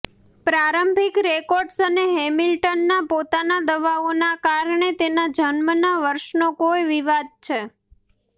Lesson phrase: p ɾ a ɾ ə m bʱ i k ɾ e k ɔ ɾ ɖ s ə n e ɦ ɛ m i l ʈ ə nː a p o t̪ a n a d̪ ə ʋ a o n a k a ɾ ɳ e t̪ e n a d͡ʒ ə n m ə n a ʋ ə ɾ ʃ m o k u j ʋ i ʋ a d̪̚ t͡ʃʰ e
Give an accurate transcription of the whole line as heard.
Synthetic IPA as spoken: p ɾ a ɾ ə m bʱ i k ɾ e k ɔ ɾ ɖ s ə n e ɦ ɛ m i l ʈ ə nː a p o t̪ a n a d̪ ə ʋ a o n a k a ɾ ɳ e t̪ e n a d͡ʒ ə n m ə n a ʋ ə ɾ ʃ n o k o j ʋ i ʋ a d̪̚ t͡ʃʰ e